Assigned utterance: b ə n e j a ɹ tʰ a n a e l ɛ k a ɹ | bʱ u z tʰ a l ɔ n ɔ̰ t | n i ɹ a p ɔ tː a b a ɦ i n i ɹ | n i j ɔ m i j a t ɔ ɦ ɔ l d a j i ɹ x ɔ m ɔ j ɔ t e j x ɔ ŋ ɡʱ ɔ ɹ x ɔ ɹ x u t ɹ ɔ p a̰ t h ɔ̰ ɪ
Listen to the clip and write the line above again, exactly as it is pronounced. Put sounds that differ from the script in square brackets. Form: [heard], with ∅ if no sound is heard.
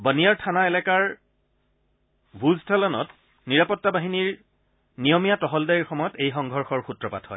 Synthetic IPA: b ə n [i] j a ɹ tʰ a n a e l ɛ k a ɹ | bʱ u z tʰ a l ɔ n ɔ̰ t | n i ɹ a p ɔ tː a b a ɦ i n i ɹ | n i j ɔ m i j a t ɔ ɦ ɔ l d a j i ɹ x ɔ m ɔ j ɔ t e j x ɔ ŋ ɡʱ ɔ ɹ x ɔ ɹ x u t ɹ ɔ p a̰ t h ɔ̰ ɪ